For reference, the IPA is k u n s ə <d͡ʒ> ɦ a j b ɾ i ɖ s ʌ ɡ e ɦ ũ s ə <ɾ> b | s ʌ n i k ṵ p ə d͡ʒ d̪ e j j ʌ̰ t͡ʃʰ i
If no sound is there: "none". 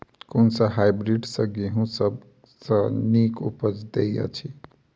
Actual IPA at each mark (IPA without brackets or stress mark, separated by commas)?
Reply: none, none